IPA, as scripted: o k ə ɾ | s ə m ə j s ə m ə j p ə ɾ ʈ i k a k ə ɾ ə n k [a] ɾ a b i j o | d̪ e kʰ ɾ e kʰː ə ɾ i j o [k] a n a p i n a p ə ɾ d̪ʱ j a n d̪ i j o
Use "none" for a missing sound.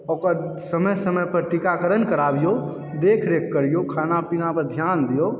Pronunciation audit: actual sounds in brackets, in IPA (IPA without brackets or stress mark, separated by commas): ə, kʰ